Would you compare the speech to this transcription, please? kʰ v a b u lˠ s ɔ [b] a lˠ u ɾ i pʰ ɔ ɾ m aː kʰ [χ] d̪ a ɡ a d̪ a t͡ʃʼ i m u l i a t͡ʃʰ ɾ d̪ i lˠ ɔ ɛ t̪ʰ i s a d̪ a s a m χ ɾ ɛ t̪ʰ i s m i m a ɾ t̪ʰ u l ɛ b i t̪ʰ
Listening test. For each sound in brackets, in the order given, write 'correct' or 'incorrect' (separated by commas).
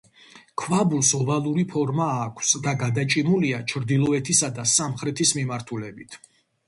incorrect, incorrect